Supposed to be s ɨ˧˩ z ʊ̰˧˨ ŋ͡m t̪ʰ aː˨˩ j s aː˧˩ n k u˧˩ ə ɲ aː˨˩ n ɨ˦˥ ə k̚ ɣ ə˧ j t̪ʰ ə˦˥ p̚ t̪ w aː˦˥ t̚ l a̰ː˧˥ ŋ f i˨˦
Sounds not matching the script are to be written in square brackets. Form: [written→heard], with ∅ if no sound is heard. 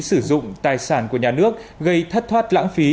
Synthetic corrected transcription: s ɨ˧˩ z ʊ̰˧˨ ŋ͡m [t̪ʰ→t̪] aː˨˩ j s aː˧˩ n k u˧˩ ə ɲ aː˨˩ n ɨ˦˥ ə k̚ ɣ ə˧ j t̪ʰ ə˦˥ [p̚→t̚] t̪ w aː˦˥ t̚ l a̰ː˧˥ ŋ f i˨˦